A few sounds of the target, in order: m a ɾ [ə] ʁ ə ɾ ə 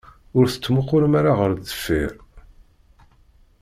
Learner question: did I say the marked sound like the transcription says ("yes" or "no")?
no